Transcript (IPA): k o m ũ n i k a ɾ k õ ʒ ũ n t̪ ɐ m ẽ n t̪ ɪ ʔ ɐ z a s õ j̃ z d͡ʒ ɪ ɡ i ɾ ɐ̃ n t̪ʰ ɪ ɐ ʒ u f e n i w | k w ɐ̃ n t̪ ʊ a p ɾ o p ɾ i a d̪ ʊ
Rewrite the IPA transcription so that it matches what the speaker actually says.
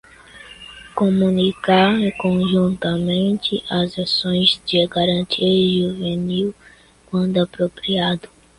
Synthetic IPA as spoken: k o m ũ n i k a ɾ k õ ʒ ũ n t̪ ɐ m ẽ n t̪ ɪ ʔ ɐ z a s õ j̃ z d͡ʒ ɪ ɡ a ɾ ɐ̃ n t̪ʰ i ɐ ʒ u v e n i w | k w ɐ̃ n d̪ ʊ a p ɾ o p ɾ i a d̪ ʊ